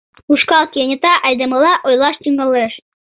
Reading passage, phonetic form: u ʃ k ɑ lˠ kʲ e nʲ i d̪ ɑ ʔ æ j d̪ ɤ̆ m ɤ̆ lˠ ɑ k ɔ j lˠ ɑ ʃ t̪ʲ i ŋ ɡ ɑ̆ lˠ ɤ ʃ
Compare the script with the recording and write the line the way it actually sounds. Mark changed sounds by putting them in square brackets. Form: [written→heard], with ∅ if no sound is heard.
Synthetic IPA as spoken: u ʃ k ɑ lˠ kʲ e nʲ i [d̪→t̪] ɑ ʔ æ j d̪ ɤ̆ m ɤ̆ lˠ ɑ [k→ʔ] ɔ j lˠ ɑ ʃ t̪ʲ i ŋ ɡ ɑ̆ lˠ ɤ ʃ